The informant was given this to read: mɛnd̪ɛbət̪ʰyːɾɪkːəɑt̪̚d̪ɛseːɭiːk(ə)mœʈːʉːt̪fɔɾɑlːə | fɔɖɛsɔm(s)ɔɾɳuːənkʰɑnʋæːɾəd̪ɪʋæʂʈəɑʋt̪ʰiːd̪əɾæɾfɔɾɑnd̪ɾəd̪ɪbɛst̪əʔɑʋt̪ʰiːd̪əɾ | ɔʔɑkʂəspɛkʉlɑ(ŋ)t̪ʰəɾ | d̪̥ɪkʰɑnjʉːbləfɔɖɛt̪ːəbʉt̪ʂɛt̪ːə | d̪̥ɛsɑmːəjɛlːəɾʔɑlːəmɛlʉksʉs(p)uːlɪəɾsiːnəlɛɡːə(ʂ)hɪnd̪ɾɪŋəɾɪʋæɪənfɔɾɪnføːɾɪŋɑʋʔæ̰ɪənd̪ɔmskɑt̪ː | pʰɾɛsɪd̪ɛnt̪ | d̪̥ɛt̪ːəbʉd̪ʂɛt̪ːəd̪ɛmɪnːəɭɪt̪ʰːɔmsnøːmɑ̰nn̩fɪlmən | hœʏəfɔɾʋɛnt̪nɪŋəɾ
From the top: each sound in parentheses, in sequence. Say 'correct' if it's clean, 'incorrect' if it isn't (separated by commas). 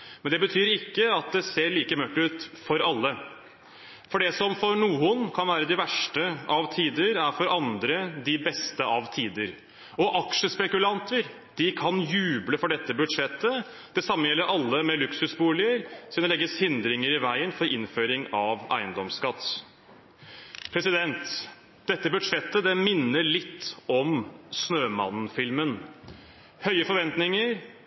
correct, incorrect, incorrect, incorrect, incorrect